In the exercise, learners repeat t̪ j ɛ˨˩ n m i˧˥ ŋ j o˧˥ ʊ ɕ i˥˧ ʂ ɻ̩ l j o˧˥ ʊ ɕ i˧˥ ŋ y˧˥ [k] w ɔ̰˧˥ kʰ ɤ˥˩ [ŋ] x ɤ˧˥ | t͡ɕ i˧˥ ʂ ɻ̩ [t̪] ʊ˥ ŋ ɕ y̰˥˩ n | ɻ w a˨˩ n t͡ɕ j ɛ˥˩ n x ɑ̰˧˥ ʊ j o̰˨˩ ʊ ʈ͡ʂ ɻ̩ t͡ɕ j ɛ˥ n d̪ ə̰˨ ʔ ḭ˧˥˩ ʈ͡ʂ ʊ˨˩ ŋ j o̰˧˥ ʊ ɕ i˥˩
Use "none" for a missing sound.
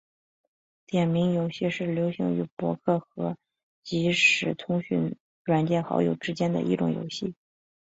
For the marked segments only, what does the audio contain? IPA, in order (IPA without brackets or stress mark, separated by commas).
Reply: p, none, t̪ʰ